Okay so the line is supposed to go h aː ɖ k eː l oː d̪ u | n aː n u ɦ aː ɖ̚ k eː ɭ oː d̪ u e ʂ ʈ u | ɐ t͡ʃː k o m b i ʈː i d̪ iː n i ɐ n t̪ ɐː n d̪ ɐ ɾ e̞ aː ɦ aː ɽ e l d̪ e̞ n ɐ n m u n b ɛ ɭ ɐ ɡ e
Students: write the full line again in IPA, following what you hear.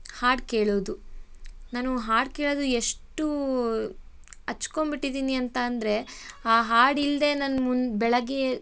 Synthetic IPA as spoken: h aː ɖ k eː ɭ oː d̪ u | n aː n u ɦ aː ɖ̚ k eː ɭ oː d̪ u e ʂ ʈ u | ɐ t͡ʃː k o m b i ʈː i d̪ iː n i ɐ n t̪ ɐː n d̪ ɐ ɾ e̞ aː ɦ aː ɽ i l d̪ e̞ n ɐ n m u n b ɛ ɭ ɐ ɡ e